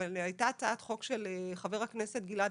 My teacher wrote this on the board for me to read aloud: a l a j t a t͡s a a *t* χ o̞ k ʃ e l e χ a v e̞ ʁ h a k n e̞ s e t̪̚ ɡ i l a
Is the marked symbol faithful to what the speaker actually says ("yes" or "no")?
yes